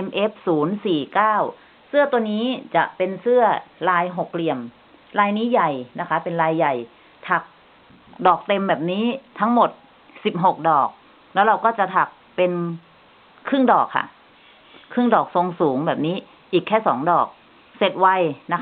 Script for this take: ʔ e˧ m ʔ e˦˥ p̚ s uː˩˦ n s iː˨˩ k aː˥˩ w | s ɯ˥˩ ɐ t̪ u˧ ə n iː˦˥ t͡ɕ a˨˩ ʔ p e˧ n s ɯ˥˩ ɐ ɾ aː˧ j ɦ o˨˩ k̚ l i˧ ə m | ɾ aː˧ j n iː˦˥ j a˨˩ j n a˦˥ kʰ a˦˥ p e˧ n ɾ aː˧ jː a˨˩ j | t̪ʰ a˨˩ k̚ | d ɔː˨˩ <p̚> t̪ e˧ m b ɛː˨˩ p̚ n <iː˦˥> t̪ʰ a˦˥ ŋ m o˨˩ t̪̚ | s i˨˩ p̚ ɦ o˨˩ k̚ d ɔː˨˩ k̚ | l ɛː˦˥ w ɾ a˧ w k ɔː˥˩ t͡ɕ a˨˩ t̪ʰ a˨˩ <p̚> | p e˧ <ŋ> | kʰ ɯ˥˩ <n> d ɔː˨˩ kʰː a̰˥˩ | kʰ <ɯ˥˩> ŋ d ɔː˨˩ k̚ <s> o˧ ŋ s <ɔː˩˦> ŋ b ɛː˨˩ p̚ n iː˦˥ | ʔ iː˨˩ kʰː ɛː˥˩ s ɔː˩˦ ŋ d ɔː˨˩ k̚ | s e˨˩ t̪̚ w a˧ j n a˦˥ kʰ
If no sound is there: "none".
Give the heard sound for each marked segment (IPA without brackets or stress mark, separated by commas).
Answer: k̚, iː˦˥, k̚, n, ŋ, ɯ˥˩, s, uː˩˦